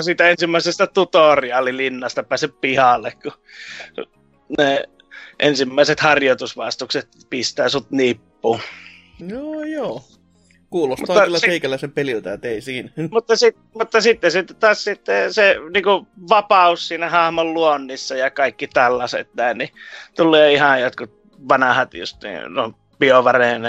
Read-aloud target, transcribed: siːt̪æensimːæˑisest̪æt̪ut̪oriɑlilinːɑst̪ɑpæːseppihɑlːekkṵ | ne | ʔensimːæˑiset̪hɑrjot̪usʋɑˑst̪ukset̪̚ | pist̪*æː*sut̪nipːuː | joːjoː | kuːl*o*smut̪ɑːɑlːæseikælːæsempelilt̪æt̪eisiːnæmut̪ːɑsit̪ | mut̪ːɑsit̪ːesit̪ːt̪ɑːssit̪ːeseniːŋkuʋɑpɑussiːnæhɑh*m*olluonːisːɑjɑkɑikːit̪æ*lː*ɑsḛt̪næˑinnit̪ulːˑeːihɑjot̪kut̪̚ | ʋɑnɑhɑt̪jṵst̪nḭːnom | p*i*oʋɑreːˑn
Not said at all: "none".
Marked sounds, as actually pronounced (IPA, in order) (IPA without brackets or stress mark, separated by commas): æː, o, m, lː, i